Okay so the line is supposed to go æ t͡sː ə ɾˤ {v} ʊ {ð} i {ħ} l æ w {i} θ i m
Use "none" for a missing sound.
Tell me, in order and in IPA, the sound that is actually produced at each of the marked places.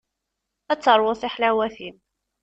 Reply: w, θ, ħ, æ

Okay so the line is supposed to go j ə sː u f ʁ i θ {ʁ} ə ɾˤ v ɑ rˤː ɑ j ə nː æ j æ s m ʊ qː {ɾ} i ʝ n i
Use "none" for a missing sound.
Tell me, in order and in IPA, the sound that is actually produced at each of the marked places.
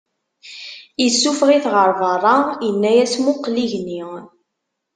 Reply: ʁ, l

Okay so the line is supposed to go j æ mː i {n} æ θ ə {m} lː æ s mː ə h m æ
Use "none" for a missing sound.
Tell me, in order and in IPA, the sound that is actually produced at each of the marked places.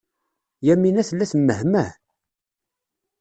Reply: n, none

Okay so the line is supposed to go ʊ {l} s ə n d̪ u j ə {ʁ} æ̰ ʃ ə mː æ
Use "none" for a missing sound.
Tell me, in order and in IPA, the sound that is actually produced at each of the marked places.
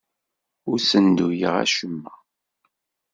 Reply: ɾ, ʁ

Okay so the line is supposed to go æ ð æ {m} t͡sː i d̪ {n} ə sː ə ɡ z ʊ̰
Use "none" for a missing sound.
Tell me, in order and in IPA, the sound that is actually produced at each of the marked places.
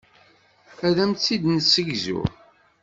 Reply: m, n

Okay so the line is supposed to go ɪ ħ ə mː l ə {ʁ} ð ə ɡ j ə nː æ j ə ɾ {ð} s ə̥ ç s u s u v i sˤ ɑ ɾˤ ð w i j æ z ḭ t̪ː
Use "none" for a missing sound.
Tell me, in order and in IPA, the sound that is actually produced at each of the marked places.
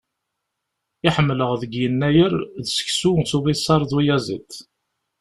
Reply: ʁ, ð

